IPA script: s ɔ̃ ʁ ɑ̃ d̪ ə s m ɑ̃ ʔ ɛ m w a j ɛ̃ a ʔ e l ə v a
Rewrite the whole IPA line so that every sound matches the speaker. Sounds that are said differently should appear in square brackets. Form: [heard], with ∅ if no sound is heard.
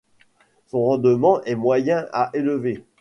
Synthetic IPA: s ɔ̃ ʁ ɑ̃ d̪ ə [∅] m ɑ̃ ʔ ɛ m w a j ɛ̃ a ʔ e l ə v [e]